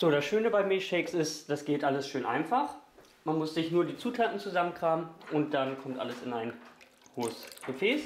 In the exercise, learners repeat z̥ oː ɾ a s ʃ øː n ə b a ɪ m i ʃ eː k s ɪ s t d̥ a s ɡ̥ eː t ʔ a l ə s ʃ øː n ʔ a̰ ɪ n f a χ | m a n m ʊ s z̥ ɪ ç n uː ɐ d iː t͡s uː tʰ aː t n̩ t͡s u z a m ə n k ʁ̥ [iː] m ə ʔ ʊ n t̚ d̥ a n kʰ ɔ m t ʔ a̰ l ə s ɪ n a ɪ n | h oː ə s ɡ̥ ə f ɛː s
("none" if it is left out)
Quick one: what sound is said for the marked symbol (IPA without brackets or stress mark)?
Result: aː